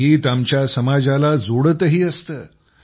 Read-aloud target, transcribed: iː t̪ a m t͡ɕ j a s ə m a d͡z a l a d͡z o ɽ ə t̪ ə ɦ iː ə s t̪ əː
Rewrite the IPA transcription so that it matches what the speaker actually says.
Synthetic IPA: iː t̪ a m t͡ɕ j a s ə m a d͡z a l a d͡z o ɽ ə t̪ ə ɦ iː ə s t̪ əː